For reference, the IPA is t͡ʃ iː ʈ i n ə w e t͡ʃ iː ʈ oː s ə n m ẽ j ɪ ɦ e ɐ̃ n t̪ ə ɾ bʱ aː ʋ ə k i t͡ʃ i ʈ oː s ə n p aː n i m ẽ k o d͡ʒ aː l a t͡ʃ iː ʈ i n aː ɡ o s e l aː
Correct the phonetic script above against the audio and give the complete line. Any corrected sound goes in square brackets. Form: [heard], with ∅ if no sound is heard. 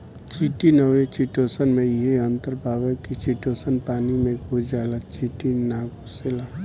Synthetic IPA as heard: t͡ʃ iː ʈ i n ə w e t͡ʃ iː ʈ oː s ə n m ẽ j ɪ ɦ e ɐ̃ n t̪ ə ɾ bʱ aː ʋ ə k i t͡ʃ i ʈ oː s ə n p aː n i m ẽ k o d͡ʒ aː l a t͡ʃ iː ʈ i n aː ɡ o s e l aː

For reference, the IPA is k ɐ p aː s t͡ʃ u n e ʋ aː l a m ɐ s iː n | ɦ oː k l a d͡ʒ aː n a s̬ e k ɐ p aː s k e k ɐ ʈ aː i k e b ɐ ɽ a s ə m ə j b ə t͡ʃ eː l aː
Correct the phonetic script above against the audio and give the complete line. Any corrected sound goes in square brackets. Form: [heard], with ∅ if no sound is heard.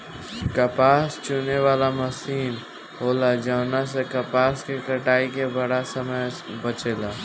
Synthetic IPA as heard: k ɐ p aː s t͡ʃ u n e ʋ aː l a m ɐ s iː n | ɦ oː [∅] l a d͡ʒ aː n a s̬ e k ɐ p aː s k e k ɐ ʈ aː i k e b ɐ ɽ a s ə m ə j b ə t͡ʃ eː l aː

